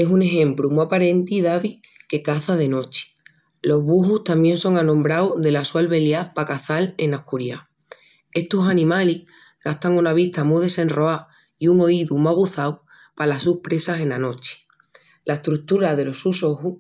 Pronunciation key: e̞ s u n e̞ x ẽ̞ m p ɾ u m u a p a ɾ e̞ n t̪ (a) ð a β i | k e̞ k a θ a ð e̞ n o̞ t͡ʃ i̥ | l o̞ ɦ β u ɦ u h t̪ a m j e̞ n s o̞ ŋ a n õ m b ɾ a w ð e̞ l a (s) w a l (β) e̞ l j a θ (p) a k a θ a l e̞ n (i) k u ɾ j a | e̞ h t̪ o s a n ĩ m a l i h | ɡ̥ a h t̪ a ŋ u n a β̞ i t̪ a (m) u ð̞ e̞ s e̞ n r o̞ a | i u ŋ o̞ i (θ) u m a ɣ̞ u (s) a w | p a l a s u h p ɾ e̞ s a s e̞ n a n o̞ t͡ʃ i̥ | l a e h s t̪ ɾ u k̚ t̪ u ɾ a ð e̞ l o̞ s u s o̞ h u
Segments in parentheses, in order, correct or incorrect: incorrect, correct, correct, correct, incorrect, correct, incorrect, incorrect

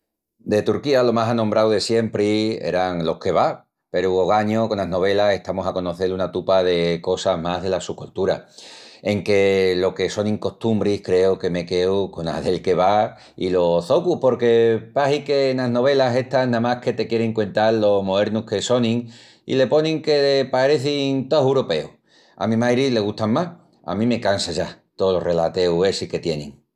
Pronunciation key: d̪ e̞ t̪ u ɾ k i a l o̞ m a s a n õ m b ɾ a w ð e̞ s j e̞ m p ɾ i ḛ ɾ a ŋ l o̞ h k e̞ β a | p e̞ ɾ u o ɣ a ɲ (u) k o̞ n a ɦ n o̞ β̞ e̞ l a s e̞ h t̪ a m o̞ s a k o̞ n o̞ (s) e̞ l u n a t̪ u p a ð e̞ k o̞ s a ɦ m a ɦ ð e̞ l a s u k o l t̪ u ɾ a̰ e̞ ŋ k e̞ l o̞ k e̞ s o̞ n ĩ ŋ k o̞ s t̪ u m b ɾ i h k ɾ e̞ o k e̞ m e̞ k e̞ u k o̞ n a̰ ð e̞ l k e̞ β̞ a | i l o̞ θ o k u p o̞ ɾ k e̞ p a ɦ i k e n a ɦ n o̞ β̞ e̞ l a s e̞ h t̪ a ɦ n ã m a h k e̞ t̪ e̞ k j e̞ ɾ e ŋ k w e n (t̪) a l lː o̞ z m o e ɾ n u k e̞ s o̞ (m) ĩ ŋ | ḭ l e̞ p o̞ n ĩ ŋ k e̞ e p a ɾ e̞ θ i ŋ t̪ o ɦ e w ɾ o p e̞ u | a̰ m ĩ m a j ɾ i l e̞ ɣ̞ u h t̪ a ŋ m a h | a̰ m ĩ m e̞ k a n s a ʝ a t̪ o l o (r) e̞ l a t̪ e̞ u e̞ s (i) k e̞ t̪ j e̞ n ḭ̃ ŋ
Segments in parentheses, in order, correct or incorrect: incorrect, incorrect, correct, incorrect, correct, correct

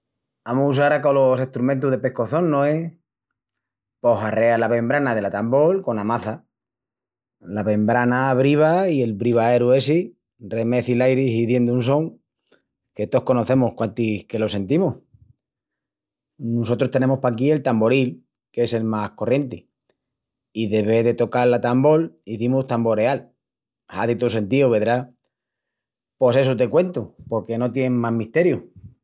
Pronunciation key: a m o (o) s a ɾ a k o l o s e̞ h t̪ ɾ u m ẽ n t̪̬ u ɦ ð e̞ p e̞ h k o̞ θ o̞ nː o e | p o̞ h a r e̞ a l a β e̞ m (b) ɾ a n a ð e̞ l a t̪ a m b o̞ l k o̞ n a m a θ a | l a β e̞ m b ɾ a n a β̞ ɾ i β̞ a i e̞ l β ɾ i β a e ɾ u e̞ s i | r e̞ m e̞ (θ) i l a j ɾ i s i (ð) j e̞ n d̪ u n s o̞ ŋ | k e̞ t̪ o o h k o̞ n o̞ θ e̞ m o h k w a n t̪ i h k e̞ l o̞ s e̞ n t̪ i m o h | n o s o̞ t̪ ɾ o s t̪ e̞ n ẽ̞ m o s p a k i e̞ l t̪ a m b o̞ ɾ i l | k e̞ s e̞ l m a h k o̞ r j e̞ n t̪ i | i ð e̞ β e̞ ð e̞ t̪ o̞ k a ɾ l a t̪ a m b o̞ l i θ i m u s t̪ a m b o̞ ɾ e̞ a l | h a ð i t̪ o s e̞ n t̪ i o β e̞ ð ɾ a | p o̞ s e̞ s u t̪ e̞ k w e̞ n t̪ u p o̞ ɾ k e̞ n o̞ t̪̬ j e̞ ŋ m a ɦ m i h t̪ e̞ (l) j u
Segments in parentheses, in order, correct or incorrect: incorrect, correct, correct, correct, incorrect

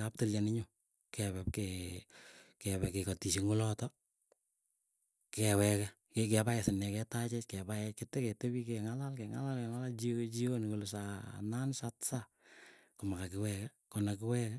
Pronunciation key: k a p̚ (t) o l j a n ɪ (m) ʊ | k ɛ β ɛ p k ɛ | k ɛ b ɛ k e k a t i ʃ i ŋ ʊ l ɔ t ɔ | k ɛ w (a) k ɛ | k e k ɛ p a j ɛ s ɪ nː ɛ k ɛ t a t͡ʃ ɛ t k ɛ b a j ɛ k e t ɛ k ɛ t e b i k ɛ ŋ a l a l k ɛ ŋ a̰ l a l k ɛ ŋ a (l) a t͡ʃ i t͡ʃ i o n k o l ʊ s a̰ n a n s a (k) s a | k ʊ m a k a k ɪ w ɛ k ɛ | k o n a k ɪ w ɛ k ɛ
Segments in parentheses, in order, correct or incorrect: correct, incorrect, incorrect, correct, incorrect

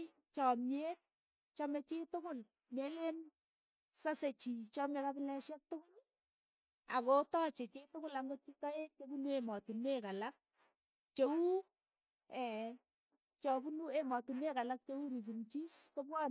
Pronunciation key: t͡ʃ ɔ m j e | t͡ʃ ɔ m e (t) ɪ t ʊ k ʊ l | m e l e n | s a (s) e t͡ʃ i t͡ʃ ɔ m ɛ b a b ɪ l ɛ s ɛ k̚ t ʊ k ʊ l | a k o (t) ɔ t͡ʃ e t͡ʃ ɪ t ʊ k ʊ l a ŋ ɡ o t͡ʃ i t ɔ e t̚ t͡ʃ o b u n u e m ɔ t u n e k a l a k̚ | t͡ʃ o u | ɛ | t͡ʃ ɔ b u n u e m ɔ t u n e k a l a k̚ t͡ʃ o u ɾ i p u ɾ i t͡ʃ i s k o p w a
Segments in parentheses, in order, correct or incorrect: incorrect, correct, correct

